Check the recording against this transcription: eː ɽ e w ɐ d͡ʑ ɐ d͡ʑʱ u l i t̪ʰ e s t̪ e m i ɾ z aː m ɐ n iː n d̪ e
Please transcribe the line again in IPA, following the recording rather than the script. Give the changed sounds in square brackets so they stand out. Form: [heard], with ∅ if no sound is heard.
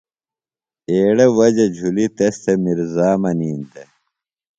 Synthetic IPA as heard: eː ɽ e w ɐ d͡ʑ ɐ d͡ʑʱ u l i [t̪] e s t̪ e m i ɾ z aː m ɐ n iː n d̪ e